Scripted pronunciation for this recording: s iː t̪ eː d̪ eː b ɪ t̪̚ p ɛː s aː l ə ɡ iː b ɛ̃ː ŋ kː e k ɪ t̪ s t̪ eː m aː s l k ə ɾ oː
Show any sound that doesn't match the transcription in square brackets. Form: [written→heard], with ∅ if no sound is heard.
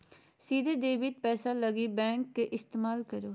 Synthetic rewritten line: s iː [t̪→d̪] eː d̪ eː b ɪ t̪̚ p ɛː s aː l ə ɡ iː b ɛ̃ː ŋ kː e [k→ʔ] ɪ [t̪→∅] s t̪ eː m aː [s→∅] l k ə ɾ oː